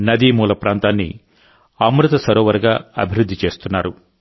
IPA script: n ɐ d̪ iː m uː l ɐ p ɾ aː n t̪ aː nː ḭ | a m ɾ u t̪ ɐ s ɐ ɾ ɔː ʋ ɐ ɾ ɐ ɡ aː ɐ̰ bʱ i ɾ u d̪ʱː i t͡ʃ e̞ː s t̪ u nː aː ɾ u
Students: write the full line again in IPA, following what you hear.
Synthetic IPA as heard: n ɐ d̪ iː m uː l ɐ p ɾ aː n t̪ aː nː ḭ | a m ɾ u t̪ ɐ s ɐ ɾ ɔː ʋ ɐ ɾ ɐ ɡ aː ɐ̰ bʱ i ɾ u d̪ʱː i t͡ʃ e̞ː s t̪ u nː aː ɾ u